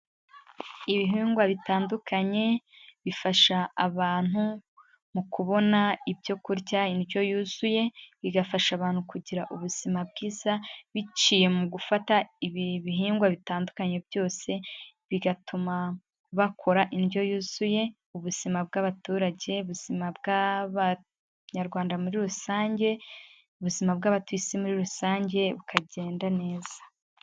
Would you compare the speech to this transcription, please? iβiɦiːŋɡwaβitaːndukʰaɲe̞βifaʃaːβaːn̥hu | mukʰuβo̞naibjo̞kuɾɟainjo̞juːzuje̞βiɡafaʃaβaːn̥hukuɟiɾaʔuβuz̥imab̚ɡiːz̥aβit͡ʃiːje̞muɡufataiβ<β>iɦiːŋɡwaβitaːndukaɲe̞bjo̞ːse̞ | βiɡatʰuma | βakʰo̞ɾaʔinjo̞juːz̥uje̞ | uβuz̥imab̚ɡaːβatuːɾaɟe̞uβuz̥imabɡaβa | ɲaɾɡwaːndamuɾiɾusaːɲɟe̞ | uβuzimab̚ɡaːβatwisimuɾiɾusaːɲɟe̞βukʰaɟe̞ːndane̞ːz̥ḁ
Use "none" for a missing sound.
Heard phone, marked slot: β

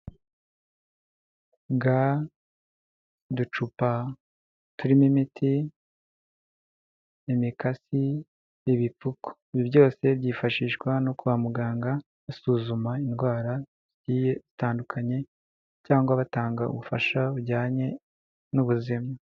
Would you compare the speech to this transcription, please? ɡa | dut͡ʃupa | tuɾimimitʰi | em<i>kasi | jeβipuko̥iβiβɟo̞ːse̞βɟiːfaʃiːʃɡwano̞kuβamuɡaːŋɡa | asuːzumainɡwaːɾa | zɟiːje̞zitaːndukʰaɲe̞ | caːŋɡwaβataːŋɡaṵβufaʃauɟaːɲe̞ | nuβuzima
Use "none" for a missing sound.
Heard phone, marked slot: i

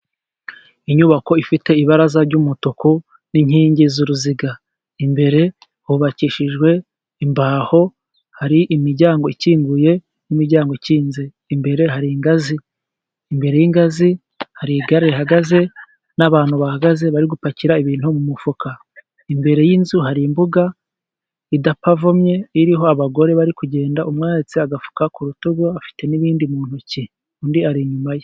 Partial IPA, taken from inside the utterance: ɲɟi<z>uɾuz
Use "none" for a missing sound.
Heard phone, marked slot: z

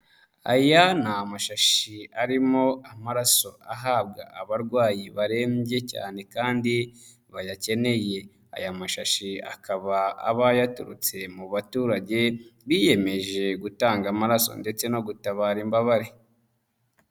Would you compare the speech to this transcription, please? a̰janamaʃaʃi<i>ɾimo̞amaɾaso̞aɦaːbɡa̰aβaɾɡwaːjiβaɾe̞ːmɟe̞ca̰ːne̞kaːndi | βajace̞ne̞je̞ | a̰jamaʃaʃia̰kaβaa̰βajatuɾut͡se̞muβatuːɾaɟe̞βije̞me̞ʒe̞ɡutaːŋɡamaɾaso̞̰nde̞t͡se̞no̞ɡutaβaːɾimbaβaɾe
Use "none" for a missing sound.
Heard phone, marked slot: a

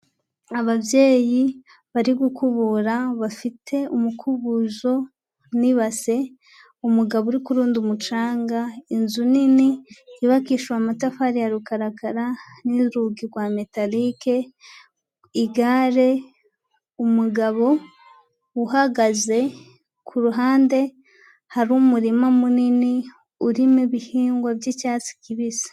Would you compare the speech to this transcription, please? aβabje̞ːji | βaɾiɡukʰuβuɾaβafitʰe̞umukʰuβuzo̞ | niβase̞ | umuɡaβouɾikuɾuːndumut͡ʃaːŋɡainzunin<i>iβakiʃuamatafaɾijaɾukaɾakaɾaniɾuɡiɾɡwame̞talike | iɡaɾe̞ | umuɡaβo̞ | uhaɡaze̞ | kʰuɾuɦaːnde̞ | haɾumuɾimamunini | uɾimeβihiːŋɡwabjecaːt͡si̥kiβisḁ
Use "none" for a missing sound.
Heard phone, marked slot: i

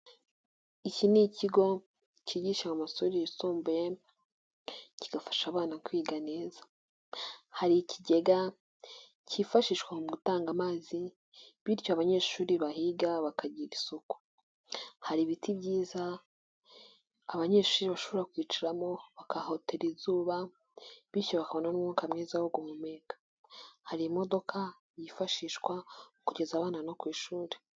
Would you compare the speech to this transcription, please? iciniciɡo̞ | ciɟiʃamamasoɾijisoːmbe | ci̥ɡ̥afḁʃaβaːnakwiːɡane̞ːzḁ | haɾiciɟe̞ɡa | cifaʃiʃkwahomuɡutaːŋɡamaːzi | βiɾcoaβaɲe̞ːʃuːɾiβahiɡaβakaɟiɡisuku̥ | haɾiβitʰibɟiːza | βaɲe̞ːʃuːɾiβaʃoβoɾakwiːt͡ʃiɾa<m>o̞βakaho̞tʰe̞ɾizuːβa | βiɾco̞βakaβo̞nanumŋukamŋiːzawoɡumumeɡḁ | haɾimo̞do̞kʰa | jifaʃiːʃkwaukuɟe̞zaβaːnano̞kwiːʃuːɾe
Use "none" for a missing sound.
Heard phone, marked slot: m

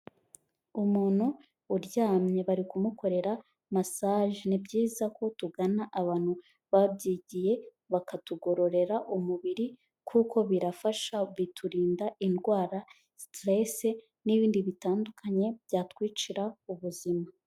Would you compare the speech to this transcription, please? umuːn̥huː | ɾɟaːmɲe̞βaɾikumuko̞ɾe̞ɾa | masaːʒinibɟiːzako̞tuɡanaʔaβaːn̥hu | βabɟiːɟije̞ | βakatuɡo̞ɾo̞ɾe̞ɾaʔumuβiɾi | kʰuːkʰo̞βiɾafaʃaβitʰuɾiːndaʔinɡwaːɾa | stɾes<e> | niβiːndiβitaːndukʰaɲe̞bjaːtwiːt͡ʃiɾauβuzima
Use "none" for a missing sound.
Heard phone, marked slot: e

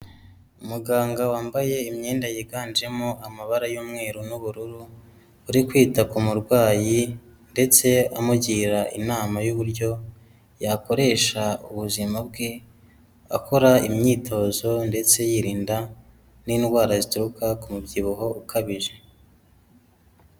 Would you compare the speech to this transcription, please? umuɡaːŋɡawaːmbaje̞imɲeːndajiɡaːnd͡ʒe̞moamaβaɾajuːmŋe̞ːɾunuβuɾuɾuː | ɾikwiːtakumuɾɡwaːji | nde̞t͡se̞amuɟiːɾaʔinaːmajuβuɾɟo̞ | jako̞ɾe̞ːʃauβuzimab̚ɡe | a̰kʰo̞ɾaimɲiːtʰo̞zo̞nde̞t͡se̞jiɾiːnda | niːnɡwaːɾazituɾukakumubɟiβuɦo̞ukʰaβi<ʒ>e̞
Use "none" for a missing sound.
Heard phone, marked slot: ʒ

